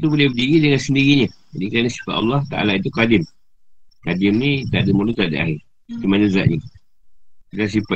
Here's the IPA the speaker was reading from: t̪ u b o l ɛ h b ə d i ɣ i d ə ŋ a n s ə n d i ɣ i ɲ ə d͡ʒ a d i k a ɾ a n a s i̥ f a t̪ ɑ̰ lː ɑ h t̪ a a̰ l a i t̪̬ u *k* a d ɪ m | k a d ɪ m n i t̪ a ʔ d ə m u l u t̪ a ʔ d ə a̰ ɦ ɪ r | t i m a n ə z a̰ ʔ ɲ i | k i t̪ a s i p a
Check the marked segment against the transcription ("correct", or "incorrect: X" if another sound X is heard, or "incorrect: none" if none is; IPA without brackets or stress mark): correct